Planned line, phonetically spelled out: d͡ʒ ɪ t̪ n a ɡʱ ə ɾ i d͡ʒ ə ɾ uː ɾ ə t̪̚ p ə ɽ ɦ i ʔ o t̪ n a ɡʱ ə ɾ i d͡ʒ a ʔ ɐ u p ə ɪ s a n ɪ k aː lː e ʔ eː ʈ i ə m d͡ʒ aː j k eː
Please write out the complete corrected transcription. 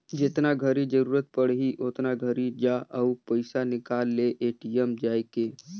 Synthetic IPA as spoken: d͡ʒ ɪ t̪ n a ɡʱ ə ɾ i d͡ʒ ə ɾ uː ɾ ə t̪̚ p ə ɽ ɦ i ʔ o t̪ n a ɡʱ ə ɾ i d͡ʒ a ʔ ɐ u p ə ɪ s a n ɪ k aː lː e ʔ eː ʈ i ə m d͡ʒ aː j k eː